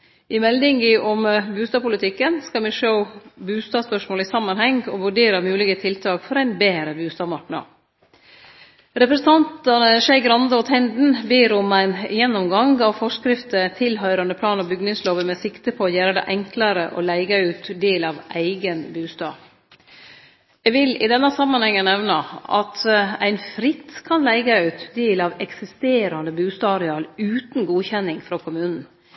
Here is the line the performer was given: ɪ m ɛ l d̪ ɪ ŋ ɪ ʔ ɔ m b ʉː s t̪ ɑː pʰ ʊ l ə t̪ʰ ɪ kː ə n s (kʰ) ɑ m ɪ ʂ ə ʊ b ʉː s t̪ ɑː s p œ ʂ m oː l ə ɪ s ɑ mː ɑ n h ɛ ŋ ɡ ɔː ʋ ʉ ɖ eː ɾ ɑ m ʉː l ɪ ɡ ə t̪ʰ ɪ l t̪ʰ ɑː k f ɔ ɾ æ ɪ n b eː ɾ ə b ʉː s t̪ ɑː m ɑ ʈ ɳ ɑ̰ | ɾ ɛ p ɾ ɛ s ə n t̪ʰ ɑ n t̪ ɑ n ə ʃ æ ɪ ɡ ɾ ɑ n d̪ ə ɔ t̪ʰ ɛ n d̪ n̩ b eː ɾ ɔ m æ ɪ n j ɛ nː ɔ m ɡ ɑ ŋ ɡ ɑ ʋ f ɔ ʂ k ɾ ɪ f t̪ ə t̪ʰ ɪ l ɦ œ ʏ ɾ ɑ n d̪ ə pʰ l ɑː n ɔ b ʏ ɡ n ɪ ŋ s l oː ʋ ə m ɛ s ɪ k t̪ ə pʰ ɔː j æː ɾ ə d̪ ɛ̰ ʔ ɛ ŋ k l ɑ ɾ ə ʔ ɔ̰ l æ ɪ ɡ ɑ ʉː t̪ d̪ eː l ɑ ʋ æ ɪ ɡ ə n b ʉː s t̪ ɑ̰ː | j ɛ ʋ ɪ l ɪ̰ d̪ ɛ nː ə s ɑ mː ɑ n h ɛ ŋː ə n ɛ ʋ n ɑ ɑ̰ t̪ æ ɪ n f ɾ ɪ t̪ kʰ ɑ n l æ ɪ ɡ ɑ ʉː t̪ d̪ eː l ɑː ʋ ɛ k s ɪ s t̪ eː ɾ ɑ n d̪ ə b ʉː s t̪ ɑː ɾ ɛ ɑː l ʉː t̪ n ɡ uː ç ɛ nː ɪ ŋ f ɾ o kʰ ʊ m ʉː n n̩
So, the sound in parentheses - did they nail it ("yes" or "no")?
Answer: no